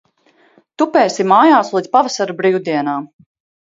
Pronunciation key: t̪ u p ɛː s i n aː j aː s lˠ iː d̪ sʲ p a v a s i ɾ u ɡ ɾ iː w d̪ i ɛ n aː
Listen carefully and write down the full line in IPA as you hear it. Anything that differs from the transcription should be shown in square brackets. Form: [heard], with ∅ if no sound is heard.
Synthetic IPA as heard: t̪ u p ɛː s i [m] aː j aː s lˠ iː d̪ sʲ p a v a s [a] ɾ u [b] ɾ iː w d̪ i ɛ n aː